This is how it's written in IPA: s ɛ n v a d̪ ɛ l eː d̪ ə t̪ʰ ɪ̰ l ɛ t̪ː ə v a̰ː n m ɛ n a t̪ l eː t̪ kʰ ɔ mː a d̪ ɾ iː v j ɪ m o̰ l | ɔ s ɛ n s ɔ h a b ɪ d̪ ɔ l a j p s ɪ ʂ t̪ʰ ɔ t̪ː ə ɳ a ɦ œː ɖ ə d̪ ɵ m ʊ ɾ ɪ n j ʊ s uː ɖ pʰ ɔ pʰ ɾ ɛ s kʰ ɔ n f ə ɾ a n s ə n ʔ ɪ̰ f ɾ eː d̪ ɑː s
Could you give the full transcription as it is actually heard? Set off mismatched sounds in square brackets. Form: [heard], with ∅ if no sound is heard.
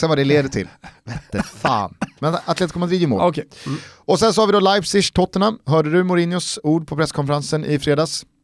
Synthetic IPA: s ɛ n v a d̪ ɛ l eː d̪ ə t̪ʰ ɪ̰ l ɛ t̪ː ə [f] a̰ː n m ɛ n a t̪ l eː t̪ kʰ ɔ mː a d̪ ɾ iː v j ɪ m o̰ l | ɔ s ɛ n s ɔ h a [v] ɪ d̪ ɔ l a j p s ɪ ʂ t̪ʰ ɔ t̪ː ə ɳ a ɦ œː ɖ ə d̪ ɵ m ʊ ɾ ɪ n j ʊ s uː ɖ pʰ ɔ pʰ ɾ ɛ s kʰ ɔ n f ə ɾ a n s ə n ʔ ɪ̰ f ɾ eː d̪ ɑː s